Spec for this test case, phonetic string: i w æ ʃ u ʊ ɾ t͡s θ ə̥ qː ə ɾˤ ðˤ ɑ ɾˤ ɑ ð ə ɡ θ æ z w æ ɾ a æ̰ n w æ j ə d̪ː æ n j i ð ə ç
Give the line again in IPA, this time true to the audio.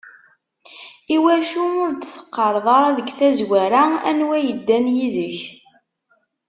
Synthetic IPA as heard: i w æ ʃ u ʊ ɾ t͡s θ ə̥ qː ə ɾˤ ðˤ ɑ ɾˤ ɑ ð ə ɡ θ æ z w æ ɾ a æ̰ n w æ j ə d̪ː æ n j i ð ə ç